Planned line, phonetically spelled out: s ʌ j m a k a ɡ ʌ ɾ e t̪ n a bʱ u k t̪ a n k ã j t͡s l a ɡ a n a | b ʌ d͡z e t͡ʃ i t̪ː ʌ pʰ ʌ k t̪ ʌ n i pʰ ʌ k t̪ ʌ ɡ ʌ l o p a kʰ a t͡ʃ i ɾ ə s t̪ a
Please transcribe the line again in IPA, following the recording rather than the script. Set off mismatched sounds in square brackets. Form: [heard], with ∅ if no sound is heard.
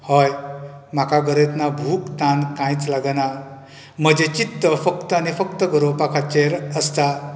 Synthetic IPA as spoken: [h] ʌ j m a k a ɡ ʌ ɾ e t̪ n a bʱ u k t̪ a n k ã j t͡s l a ɡ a n a | [m] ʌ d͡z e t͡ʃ i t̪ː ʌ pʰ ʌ k t̪ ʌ n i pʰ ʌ k t̪ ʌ ɡ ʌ [ɾ] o p a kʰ a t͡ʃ [e] ɾ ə s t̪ a